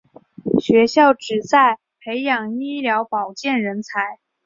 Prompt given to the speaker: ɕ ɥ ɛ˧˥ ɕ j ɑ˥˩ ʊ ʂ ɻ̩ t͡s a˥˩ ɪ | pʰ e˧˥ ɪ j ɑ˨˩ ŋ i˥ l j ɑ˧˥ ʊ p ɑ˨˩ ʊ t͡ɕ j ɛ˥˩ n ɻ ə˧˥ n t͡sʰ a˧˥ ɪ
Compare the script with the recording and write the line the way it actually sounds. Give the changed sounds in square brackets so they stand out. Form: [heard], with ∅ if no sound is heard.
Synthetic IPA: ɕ ɥ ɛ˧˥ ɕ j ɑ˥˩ ʊ [ʈ͡ʂ] ɻ̩ t͡s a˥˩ ɪ | pʰ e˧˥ ɪ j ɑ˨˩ ŋ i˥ l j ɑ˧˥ ʊ p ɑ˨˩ ʊ t͡ɕ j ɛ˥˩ n ɻ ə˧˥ n t͡sʰ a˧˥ ɪ

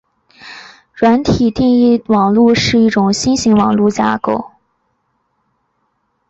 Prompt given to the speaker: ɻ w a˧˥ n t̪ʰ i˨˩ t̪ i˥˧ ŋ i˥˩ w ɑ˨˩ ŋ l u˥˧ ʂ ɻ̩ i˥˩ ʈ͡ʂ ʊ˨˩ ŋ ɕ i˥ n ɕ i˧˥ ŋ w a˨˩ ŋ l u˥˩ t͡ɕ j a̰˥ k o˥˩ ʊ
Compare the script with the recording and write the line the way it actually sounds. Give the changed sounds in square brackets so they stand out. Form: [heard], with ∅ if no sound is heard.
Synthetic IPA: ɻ w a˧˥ n t̪ʰ i˨˩ t̪ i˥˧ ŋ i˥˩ w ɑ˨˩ ŋ l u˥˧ ʂ ɻ̩ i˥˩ ʈ͡ʂ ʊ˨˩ ŋ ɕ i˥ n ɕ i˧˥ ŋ w [ɑ˨˩] ŋ l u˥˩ t͡ɕ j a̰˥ k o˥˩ ʊ

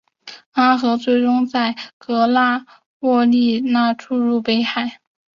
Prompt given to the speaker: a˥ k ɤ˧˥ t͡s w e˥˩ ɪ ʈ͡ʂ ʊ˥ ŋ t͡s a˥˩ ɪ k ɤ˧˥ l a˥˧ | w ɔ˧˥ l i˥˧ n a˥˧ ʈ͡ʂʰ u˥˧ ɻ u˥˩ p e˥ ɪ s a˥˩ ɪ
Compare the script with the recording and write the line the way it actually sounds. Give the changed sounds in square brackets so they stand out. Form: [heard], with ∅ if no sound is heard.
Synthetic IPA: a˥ [x] ɤ˧˥ t͡s w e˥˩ ɪ ʈ͡ʂ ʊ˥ ŋ t͡s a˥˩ ɪ k ɤ˧˥ l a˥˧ | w [ɔ˥˧] l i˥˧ n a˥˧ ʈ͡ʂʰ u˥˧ ɻ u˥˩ p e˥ ɪ [x] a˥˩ ɪ

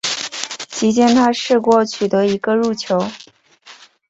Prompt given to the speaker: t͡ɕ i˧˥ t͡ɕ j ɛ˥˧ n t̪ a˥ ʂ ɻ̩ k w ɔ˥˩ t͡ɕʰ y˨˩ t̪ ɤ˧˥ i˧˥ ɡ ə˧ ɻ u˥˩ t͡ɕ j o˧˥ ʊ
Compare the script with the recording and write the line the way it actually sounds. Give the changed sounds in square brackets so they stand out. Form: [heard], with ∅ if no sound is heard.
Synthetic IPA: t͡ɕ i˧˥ t͡ɕ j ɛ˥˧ n [t̪ʰ] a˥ ʂ ɻ̩ k w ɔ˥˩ t͡ɕʰ y˨˩ t̪ ɤ˧˥ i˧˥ ɡ ə˧ ɻ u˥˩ [t͡ɕʰ] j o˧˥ ʊ

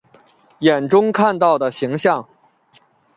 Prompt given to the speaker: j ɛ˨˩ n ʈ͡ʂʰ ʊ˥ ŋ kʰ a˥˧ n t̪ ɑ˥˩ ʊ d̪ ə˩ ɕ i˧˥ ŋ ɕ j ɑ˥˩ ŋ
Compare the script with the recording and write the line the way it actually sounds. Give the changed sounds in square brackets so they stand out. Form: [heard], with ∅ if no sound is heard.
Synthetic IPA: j ɛ˨˩ n [ʈ͡ʂ] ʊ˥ ŋ kʰ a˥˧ n t̪ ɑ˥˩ ʊ d̪ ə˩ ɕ i˧˥ ŋ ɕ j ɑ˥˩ ŋ

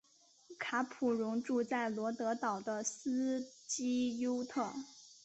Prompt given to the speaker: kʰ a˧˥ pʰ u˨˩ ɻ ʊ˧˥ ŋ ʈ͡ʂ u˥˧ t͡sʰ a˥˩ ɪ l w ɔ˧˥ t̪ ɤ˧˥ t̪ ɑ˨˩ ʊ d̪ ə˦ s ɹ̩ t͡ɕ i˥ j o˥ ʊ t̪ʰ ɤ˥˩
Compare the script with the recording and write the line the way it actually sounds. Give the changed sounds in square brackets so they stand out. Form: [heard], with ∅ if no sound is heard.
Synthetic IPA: kʰ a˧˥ pʰ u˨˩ ɻ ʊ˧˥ ŋ ʈ͡ʂ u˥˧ [t͡s] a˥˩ ɪ l w ɔ˧˥ t̪ ɤ˧˥ t̪ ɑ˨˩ ʊ d̪ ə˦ s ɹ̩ t͡ɕ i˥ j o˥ ʊ t̪ʰ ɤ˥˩

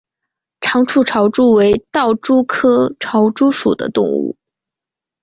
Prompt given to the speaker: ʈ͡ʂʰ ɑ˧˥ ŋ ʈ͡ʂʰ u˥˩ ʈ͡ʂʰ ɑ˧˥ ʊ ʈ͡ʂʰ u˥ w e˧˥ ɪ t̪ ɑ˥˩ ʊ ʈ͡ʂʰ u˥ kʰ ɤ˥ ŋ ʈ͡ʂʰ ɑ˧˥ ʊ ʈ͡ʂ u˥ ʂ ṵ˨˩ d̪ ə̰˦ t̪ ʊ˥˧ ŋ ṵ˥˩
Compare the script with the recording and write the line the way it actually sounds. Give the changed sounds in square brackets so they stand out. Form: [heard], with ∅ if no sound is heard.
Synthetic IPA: ʈ͡ʂʰ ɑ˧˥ ŋ ʈ͡ʂʰ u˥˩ ʈ͡ʂʰ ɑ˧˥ ʊ [ʈ͡ʂ] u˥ w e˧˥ ɪ t̪ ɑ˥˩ ʊ [ʈ͡ʂ] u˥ kʰ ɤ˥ [∅] ʈ͡ʂʰ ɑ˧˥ ʊ ʈ͡ʂ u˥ ʂ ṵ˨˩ d̪ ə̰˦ t̪ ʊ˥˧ ŋ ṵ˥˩

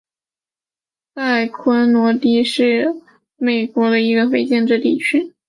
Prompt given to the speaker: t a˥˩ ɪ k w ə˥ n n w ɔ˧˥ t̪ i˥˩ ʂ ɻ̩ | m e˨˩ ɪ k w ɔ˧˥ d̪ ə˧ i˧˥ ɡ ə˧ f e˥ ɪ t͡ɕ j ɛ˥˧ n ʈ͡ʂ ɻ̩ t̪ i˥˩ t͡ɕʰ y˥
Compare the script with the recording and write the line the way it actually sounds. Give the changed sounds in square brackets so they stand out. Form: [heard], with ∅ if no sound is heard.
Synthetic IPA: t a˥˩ ɪ [kʰ] w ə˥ n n w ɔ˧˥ t̪ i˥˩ ʂ ɻ̩ | m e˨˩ ɪ k w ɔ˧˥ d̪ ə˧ i˧˥ ɡ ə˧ f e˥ ɪ t͡ɕ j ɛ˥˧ n ʈ͡ʂ ɻ̩ t̪ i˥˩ t͡ɕʰ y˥

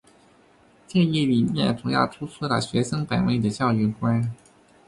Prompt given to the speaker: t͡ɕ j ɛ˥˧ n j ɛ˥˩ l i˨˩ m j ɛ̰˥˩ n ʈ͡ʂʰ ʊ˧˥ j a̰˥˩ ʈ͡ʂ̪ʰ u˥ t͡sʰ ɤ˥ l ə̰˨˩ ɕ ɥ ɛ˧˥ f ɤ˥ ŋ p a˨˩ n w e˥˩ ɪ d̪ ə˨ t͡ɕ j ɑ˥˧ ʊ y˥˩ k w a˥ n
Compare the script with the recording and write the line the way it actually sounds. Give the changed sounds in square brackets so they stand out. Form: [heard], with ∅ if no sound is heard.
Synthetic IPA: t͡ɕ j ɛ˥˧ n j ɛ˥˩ l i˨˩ m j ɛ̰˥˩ n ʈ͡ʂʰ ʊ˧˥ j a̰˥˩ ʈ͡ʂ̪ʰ u˥ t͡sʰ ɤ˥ l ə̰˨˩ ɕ ɥ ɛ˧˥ [ʂ] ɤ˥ ŋ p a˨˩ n w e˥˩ ɪ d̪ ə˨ t͡ɕ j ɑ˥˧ ʊ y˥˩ k w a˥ n

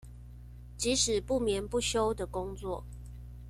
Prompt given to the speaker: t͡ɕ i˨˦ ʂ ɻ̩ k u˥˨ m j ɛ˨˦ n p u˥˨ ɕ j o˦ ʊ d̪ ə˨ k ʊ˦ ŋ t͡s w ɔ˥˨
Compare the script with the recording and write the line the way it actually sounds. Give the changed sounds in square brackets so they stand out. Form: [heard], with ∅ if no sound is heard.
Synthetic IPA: t͡ɕ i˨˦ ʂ ɻ̩ [p] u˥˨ m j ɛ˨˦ n p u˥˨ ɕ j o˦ ʊ d̪ ə˨ k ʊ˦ ŋ t͡s w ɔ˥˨

